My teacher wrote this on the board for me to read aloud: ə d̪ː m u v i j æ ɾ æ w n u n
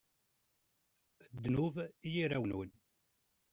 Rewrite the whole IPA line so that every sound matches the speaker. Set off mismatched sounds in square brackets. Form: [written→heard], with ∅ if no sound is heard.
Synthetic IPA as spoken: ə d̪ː [m→n] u v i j [æ→i] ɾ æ w n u n